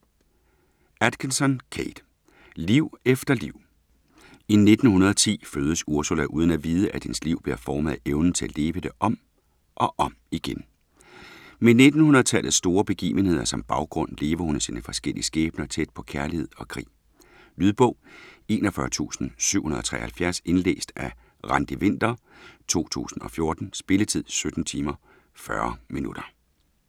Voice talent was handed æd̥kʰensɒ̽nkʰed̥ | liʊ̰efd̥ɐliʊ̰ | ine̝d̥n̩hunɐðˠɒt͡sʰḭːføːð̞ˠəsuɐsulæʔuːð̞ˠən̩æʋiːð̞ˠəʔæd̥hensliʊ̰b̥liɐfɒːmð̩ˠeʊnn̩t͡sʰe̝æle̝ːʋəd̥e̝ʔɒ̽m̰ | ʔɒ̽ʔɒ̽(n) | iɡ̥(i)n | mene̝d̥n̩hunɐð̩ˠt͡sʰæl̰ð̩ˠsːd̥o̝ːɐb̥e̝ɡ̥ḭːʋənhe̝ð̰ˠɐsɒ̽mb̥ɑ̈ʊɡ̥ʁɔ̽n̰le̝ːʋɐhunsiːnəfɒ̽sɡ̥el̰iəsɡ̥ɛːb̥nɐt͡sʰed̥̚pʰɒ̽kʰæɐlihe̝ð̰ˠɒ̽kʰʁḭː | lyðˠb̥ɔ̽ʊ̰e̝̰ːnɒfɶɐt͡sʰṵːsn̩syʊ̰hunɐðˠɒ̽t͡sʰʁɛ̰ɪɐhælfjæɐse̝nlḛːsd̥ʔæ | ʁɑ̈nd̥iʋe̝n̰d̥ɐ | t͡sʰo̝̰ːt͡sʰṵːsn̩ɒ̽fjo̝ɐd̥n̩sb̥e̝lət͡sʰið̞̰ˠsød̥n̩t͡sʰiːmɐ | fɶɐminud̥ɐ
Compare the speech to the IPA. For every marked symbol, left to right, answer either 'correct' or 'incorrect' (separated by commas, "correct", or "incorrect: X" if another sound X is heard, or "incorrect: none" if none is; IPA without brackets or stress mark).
incorrect: m, incorrect: e